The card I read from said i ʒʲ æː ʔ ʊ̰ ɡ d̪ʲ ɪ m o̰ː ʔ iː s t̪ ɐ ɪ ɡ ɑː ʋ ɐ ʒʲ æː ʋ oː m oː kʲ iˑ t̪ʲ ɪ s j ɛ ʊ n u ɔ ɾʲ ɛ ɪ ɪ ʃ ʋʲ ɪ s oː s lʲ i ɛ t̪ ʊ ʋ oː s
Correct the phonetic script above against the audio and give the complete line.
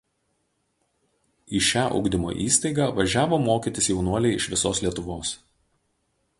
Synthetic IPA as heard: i ʃʲ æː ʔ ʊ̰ ɡ d̪ʲ ɪ m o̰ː ʔ iː s t̪ ɐ ɪ ɡ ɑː ʋ ɐ ʒʲ æː ʋ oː m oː kʲ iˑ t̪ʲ ɪ s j ɛ ʊ n u ɔ lʲ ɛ ɪ ɪ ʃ ʋʲ ɪ s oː s lʲ i ɛ t̪ ʊ ʋ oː s

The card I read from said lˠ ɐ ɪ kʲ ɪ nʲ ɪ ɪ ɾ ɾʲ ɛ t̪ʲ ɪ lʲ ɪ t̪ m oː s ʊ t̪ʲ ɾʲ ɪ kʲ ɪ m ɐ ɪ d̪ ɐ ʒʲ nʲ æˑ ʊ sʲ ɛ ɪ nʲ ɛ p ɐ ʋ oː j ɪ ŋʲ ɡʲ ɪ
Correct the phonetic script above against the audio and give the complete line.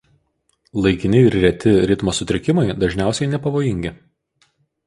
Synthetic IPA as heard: lˠ ɐ ɪ kʲ ɪ nʲ ɪ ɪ ɾ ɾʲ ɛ t̪ʲ ɪ ɾʲ ɪ t̪ m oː s ʊ t̪ʲ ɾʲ ɪ kʲ ɪ m ɐ ɪ d̪ ɐ ʒʲ nʲ æˑ ʊ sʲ ɛ ɪ nʲ ɛ p ɐ ʋ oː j ɪ ŋʲ ɡʲ ɪ

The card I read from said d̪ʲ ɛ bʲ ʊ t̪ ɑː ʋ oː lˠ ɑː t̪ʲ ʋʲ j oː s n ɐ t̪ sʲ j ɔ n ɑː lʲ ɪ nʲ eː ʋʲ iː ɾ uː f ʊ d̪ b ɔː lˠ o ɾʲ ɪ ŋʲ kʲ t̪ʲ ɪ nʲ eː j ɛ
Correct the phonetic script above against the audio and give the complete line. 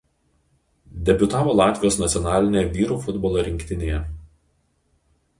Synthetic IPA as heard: d̪ʲ ɛ bʲ ʊ t̪ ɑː ʋ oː lˠ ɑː t̪ʲ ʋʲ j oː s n ɐ t̪ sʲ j ɔ n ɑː lʲ ɪ nʲ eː ʋʲ iː ɾ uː f ʊ d̪ b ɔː lˠ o ɾʲ ɪ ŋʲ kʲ t̪ʲ ɪ nʲ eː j ɛ

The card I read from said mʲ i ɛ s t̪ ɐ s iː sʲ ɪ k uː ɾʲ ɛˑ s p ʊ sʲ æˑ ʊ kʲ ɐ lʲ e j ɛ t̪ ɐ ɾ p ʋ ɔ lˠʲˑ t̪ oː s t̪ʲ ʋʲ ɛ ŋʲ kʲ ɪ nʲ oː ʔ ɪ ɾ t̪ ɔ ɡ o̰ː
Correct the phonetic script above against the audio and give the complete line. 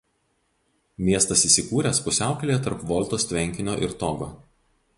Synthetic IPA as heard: mʲ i ɛ s t̪ ɐ s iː sʲ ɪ k uː ɾʲ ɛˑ s p ʊ sʲ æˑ ʊ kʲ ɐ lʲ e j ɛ t̪ ɐ ɾ p ʋ ɔ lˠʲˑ t̪ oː s t̪ʲ ʋʲ ɛ ŋʲ kʲ ɪ nʲ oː ʔ ɪ ɾ t̪ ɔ ɡ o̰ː

